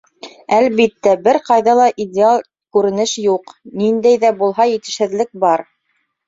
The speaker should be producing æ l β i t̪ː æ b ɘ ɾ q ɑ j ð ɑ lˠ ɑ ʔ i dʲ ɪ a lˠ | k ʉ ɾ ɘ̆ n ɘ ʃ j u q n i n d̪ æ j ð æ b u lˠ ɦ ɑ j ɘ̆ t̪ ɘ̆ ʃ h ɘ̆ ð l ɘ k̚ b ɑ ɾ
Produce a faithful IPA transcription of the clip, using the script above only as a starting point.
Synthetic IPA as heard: æ l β i t̪ː æ b ɘ ɾ q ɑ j ð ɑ lˠ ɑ ʔ i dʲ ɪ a lˠ | k ʉ ɾ ɘ̆ n ɘ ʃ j u q n i n d̪ æ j ð æ b u lˠ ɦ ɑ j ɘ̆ t̪ ɘ̆ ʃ h ɘ̆ ð l ɘ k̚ b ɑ ɾ